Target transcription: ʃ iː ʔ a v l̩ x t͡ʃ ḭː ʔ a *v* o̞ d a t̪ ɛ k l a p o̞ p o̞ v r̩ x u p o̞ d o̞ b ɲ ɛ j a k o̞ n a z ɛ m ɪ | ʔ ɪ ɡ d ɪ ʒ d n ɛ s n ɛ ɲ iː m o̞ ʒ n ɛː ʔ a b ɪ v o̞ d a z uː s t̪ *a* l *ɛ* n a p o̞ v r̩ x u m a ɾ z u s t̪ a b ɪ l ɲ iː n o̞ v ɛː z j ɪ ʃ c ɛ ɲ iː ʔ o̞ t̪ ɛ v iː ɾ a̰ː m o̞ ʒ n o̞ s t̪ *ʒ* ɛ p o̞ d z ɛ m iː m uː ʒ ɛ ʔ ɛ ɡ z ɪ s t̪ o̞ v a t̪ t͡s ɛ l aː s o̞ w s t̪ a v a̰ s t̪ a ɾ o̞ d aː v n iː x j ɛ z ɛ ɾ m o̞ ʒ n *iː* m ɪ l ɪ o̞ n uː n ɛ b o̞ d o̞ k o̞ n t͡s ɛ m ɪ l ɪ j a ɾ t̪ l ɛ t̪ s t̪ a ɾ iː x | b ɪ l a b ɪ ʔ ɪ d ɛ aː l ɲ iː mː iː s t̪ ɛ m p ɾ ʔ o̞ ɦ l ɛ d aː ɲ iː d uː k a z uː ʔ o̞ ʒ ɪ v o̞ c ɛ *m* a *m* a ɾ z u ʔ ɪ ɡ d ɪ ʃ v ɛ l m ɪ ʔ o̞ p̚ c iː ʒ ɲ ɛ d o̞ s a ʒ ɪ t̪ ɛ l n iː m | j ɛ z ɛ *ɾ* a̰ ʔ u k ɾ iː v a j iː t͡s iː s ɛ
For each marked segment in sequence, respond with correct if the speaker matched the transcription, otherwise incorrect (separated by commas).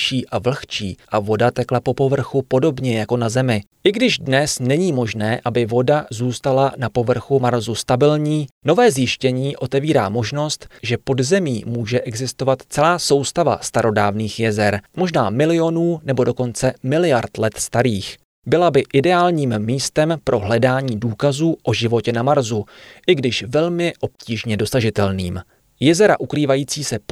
correct, correct, incorrect, correct, incorrect, incorrect, correct, correct